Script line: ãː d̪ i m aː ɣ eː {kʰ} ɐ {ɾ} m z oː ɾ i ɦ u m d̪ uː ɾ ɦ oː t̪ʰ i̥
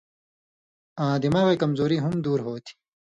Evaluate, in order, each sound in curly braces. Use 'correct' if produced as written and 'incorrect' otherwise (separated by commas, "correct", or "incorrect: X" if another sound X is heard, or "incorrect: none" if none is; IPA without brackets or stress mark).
incorrect: k, incorrect: none